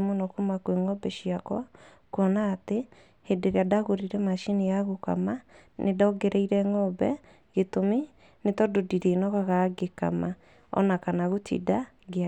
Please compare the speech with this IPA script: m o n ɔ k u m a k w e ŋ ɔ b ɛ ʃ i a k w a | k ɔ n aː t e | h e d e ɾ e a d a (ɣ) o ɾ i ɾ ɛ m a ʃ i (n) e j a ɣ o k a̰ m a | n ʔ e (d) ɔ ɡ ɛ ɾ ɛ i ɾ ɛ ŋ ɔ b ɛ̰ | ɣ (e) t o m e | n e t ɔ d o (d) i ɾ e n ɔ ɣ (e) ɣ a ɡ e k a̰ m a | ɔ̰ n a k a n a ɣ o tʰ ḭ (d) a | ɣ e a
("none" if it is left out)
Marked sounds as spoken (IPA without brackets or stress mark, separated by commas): ɣ, n, d, e, d, a, d